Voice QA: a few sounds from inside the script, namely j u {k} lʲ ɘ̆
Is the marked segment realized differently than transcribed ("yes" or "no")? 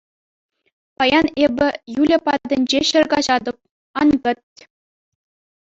yes